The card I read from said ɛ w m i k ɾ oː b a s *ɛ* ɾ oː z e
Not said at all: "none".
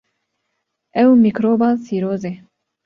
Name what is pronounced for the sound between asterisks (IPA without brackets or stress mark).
i